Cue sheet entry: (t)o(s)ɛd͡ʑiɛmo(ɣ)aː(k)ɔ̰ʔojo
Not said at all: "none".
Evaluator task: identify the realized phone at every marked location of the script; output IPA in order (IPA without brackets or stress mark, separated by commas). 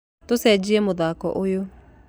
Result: t, s, ð, k